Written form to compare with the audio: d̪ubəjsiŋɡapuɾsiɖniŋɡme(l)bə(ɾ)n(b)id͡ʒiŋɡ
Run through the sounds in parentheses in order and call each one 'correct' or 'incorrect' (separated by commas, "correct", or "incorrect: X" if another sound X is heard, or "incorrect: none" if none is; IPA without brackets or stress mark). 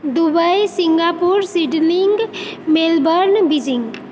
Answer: correct, correct, correct